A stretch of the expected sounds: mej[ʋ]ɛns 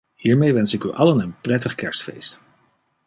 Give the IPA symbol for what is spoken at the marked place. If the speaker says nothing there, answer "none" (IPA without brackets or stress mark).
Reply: ʋ